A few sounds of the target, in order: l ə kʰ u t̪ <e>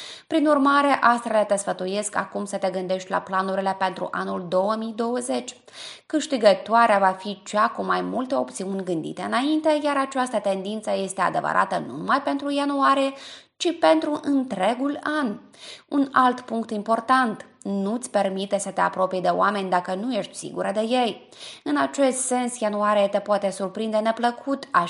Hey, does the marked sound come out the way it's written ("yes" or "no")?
no